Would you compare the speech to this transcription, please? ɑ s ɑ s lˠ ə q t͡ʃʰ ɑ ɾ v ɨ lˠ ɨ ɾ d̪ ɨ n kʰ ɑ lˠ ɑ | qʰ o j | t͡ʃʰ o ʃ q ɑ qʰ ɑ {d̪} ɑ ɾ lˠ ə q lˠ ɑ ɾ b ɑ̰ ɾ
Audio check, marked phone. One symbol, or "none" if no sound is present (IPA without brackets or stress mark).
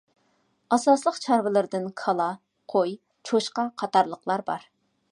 t̪